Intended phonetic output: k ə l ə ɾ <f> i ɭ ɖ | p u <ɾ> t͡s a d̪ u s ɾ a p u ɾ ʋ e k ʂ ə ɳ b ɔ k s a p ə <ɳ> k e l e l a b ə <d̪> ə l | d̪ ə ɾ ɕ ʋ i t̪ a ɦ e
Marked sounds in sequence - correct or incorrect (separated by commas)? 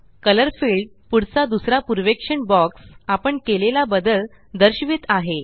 correct, incorrect, correct, correct